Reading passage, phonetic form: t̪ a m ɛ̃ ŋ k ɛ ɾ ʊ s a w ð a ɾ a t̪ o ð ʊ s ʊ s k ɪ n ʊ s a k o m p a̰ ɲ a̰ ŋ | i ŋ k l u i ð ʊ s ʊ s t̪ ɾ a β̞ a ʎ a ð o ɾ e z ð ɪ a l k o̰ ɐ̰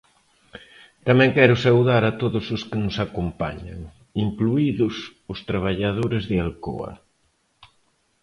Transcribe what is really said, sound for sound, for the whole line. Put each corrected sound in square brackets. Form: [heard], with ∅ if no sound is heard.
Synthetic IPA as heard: t̪ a m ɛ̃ ŋ k ɛ ɾ ʊ s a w ð a ɾ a t̪ o ð ʊ s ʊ s k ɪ n ʊ s a k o m p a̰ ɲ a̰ ŋ | i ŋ k l u i ð ʊ s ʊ s t̪ ɾ a β̞ a ʎ a ð o ɾ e z ð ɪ a l k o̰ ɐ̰